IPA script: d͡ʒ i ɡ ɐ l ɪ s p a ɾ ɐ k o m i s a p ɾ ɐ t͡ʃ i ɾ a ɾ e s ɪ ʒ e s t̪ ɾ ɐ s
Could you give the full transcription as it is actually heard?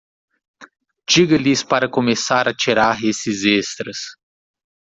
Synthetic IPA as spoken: d͡ʒ i ɡ ɐ l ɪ s p a ɾ ɐ k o m e s a ɾ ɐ t͡ʃ i ɾ a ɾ e s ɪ z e s t̪ ɾ ɐ s